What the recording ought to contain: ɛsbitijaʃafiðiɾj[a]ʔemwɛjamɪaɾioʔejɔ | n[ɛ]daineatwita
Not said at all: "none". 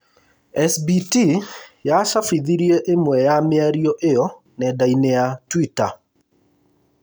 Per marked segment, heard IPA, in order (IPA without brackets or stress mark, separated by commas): e, ɛ